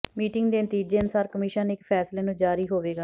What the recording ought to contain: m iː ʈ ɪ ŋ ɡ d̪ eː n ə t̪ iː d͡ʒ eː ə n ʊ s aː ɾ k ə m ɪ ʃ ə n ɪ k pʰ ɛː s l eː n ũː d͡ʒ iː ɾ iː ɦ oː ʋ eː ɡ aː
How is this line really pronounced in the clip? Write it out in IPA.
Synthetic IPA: m iː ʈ ɪ ŋ ɡ d̪ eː n ə t̪ iː d͡ʒ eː ə n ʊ s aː ɾ k ə m ɪ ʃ ə n ɪ k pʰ ɛː s l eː n ũː d͡ʒ aː ɾ iː ɦ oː ʋ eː ɡ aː